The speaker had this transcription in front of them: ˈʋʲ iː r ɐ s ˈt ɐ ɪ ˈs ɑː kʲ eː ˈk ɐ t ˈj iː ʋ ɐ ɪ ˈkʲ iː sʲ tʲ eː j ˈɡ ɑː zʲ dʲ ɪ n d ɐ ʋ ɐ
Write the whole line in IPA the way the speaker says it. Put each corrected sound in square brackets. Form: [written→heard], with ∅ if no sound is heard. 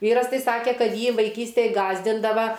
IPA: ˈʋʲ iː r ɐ s ˈt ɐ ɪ ˈs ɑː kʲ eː ˈk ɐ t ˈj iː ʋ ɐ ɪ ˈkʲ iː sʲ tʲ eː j ˈɡ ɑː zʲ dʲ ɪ n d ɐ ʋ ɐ